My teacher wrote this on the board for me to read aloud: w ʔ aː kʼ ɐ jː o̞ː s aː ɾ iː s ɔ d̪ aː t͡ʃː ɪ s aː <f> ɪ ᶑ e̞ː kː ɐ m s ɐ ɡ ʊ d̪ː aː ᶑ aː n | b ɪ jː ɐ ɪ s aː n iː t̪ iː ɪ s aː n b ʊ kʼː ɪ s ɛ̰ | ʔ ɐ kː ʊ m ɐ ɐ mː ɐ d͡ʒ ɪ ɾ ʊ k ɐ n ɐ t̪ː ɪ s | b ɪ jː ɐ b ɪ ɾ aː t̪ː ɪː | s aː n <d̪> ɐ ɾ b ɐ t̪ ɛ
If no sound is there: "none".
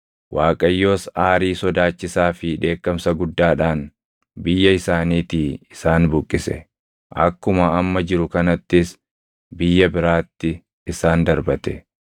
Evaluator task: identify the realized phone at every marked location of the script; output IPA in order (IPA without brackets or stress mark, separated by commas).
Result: f, d̪